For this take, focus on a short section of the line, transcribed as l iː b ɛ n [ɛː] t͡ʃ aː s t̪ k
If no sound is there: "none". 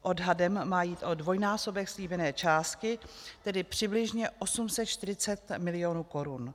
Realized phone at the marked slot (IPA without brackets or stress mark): ɛː